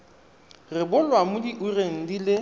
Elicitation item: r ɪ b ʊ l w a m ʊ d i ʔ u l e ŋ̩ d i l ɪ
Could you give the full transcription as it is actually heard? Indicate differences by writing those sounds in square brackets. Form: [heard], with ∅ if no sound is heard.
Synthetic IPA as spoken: r ɪ b ʊ l w a m ʊ d i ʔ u [r] e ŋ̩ d i l ɪ